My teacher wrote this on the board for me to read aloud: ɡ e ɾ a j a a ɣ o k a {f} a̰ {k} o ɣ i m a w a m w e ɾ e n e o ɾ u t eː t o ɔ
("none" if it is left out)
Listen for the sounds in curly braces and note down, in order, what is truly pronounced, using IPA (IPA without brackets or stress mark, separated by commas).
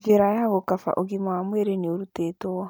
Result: f, ʔ